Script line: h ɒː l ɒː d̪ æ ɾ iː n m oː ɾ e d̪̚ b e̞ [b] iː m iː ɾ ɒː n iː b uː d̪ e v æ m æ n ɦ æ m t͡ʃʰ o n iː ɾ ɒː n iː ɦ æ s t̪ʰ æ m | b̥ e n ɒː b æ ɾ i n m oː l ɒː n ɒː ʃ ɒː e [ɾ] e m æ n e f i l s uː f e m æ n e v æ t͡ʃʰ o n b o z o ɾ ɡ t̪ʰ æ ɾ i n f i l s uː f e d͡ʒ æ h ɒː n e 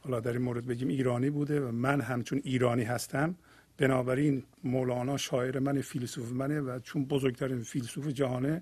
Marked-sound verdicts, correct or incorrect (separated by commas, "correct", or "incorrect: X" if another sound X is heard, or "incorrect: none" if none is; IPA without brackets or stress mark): incorrect: ɟ, correct